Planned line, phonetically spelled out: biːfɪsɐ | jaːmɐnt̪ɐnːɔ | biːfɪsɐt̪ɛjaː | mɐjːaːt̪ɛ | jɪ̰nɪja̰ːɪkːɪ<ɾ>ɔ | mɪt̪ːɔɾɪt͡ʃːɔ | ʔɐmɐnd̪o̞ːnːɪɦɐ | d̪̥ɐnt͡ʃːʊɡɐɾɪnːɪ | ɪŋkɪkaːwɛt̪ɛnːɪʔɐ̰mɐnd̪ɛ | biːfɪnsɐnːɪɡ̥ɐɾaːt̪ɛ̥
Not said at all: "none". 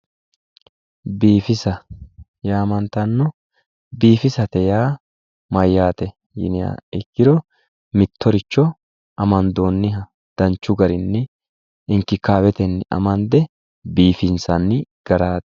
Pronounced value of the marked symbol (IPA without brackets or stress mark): ɾ